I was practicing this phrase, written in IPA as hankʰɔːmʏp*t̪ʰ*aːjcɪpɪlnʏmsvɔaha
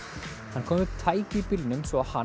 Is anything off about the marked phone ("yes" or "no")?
no